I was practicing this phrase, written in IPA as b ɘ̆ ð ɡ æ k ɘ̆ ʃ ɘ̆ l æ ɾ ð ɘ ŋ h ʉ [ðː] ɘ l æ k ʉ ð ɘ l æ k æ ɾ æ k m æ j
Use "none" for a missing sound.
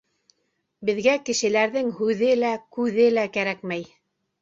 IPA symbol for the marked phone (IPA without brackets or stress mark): ð